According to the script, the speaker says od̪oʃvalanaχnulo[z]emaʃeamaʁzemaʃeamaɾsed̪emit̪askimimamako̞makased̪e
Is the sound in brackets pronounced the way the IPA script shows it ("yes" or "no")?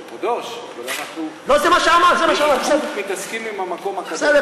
yes